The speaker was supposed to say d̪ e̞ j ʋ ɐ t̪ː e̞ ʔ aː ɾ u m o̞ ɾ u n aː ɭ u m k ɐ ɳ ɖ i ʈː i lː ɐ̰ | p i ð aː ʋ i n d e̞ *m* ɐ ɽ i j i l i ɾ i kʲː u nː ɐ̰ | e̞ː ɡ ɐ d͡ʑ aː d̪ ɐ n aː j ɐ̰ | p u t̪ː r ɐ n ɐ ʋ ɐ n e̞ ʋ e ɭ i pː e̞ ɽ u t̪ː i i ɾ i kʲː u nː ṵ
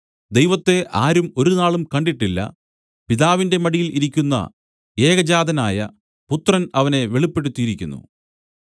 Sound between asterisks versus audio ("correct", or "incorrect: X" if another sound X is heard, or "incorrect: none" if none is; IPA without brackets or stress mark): correct